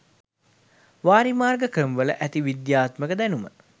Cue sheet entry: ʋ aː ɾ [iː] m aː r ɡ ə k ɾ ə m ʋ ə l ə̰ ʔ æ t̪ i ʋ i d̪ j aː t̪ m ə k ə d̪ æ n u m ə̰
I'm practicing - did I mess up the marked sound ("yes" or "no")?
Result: yes